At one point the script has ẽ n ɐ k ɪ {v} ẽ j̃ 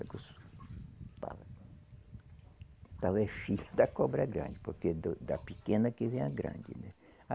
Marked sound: correct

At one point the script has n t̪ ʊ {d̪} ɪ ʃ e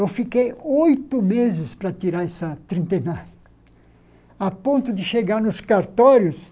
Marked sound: correct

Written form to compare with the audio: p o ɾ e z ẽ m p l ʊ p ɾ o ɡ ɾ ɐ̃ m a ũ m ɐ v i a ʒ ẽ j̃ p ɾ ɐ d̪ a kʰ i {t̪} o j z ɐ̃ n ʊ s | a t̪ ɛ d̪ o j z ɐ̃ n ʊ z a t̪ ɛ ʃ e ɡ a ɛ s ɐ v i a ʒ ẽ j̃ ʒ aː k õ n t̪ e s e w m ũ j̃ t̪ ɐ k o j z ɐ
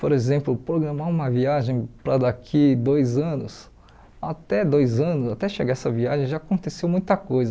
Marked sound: incorrect: d̪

